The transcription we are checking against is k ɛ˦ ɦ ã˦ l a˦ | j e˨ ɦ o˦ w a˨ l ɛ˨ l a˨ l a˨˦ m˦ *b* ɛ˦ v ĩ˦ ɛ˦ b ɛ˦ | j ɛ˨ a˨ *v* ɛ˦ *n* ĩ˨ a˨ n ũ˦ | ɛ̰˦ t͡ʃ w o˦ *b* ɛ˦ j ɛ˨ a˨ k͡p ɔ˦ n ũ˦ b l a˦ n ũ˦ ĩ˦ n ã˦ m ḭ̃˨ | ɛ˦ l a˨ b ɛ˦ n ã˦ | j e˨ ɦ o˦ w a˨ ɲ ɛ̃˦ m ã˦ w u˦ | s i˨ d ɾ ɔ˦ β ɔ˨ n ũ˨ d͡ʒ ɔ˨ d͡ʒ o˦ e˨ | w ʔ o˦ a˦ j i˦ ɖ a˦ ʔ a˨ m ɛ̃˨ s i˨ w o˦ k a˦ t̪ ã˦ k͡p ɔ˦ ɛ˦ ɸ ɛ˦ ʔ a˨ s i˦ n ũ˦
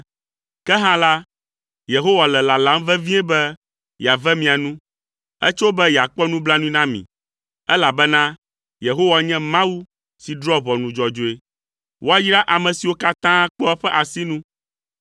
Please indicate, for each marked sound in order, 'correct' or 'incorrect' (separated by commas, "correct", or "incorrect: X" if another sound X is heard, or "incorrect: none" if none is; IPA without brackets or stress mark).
incorrect: v, correct, incorrect: m, correct